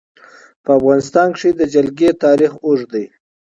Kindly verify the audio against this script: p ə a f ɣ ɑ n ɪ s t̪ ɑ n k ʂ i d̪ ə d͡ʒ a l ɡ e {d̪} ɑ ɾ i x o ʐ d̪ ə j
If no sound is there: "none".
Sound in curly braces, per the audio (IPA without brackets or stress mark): t̪